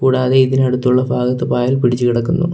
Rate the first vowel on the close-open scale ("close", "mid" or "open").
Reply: close